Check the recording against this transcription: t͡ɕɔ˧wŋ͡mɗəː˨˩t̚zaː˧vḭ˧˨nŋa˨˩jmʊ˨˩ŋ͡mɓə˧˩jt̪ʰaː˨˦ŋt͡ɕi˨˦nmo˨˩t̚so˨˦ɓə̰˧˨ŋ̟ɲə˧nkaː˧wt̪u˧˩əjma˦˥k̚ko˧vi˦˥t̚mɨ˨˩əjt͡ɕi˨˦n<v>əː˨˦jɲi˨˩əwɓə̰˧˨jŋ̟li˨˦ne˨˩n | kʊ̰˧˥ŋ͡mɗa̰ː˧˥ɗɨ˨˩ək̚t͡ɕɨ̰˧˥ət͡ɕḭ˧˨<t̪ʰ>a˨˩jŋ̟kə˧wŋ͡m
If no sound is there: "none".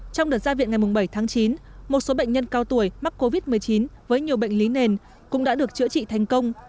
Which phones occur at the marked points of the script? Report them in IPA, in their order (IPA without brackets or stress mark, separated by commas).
v, t̪ʰ